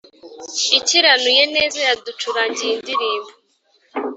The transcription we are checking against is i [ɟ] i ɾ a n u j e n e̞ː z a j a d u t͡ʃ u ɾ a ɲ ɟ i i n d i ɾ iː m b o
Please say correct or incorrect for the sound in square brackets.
incorrect